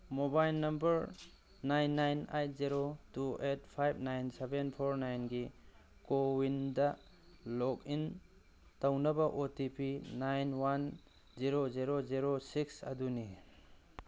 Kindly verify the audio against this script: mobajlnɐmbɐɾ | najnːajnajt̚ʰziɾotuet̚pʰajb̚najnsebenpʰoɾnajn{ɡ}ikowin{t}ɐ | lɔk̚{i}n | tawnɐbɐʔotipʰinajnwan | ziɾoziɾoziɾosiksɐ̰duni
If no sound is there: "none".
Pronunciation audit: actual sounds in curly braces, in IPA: ɡ, d, i

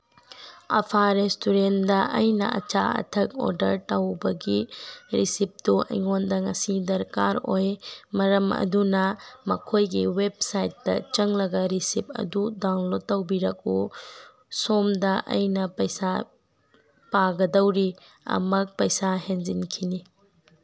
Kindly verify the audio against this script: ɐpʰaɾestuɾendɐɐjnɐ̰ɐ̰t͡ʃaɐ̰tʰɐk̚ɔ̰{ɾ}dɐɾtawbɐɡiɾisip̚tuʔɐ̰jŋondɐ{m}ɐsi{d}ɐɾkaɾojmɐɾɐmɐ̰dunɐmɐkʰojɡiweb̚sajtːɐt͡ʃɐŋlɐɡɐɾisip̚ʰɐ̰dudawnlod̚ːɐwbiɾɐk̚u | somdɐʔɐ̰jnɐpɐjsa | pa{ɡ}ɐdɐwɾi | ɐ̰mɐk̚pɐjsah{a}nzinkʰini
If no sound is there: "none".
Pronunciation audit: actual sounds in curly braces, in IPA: ɾ, ŋ, d, ɡ, e

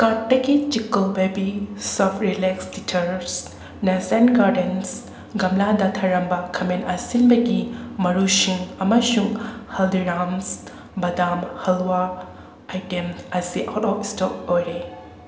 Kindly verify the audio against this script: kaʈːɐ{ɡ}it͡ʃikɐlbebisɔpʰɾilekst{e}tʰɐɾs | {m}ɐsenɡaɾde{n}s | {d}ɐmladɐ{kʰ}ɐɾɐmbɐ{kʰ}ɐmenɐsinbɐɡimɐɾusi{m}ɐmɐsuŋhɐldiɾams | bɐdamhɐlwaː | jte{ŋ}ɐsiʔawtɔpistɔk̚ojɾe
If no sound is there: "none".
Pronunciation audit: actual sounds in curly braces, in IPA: ɡ, i, n, n, ɡ, tʰ, kʰ, ŋ, m

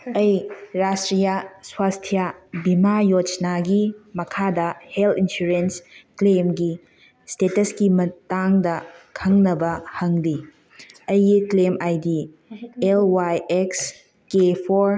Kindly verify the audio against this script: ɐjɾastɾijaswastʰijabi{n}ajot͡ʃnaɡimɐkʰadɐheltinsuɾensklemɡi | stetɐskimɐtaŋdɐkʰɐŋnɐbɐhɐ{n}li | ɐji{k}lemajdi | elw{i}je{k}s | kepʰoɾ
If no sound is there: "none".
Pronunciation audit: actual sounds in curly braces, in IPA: m, ŋ, k, a, k

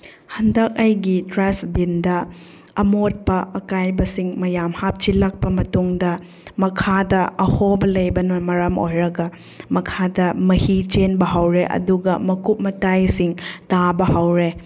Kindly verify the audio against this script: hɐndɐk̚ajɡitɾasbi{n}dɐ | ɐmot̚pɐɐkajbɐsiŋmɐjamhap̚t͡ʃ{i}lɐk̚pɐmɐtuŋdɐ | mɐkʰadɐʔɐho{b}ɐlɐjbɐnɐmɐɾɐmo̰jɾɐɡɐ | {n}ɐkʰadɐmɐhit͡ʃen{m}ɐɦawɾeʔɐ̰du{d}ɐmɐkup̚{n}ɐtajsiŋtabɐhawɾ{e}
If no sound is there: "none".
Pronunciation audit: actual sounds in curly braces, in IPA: n, i, b, m, b, ɡ, m, e

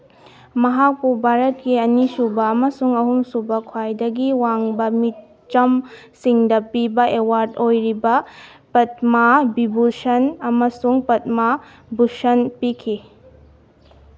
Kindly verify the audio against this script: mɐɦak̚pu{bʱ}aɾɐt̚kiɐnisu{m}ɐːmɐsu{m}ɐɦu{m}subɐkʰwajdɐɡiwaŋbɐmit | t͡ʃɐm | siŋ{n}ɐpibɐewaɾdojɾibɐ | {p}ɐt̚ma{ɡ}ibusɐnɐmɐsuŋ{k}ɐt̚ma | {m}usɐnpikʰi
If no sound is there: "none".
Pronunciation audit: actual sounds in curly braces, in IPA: bʱ, b, ŋ, m, d, p, b, p, b

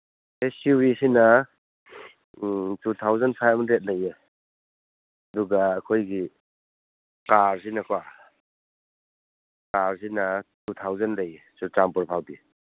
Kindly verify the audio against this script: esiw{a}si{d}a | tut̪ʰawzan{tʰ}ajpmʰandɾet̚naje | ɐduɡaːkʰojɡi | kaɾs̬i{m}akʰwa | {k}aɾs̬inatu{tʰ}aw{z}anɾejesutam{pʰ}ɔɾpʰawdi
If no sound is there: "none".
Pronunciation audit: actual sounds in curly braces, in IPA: i, n, pʰ, n, k, tʰ, z, p

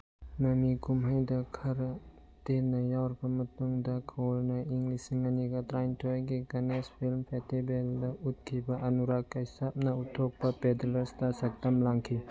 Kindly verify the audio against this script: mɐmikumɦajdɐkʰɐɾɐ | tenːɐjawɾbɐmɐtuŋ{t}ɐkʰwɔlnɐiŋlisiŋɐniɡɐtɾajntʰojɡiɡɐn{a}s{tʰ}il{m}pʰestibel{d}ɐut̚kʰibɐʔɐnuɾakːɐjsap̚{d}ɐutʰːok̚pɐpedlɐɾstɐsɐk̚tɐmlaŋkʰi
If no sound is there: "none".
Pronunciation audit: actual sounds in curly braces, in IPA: d, e, pʰ, m, d, n

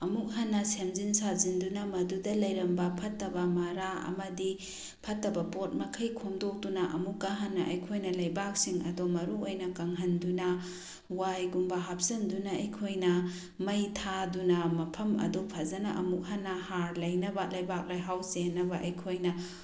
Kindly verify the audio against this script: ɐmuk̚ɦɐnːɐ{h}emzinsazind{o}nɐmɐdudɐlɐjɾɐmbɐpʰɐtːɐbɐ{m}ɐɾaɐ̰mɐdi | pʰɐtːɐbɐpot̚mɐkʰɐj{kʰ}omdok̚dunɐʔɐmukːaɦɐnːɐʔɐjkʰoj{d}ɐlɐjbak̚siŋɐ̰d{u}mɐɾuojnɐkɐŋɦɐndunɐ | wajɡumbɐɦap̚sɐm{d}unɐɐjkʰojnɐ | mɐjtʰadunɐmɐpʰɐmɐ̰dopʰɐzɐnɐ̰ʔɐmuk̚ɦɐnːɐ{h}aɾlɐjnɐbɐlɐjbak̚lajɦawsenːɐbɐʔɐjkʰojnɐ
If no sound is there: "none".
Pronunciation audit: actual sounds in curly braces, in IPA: s, u, m, kʰ, n, o, d, h

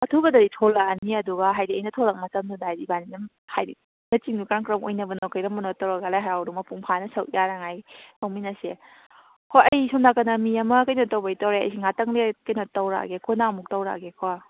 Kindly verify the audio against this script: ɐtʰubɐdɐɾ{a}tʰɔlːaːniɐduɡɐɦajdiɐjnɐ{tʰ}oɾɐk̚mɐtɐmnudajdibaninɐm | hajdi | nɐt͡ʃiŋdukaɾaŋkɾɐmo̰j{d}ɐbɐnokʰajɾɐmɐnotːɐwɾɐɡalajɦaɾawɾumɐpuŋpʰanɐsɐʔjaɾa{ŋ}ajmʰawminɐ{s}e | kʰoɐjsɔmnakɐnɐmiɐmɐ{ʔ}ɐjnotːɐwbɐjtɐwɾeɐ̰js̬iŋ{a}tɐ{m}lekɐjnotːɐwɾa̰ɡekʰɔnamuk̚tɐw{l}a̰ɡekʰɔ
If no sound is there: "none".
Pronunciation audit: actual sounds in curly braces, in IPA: i, tʰ, n, ŋ, s, k, a, ŋ, ɾ

